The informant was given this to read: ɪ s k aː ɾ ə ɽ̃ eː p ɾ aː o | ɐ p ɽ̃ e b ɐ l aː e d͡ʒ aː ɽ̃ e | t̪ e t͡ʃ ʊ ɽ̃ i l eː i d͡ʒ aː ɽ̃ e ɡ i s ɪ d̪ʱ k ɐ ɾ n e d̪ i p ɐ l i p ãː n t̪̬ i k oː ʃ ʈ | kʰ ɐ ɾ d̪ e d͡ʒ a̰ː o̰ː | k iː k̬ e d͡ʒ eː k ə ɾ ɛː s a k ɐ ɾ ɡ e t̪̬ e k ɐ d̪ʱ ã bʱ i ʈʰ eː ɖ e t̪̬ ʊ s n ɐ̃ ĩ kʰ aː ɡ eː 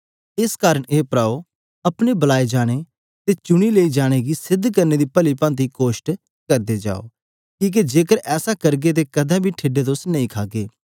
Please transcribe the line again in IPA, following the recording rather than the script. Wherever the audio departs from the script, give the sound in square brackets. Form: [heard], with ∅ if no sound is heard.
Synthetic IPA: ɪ s k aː ɾ ə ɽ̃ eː p ɾ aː o | ɐ p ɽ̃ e b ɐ l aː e d͡ʒ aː ɽ̃ e | t̪ e t͡ʃ ʊ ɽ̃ i l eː i d͡ʒ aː ɽ̃ e ɡ i s ɪ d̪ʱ k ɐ ɾ n e d̪ i p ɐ l i p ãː n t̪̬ i k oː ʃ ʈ | [k] ɐ ɾ d̪ e d͡ʒ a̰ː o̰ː | k iː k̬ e d͡ʒ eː k ə ɾ ɛː s a k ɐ ɾ ɡ e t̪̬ e k ɐ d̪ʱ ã bʱ i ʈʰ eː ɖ e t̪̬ ʊ s n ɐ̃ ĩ kʰ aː ɡ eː